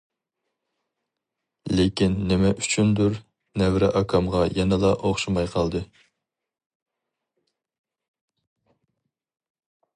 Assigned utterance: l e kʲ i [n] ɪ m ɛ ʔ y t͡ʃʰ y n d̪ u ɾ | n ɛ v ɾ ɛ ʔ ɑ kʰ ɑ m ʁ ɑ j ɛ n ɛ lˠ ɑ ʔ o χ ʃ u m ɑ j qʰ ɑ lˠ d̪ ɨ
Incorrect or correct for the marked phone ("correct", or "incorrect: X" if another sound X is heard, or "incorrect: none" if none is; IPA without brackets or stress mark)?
incorrect: nː